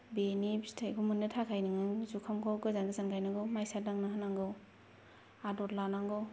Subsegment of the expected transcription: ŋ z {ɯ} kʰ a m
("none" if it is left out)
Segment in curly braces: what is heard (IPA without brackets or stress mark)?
u